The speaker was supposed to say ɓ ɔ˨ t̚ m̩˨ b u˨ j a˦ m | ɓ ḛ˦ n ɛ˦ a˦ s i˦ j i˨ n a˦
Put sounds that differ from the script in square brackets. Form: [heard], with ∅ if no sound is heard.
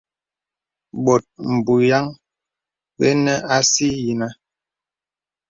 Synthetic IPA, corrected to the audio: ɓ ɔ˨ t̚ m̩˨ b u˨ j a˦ [ŋ] | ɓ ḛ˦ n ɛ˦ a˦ s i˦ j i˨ n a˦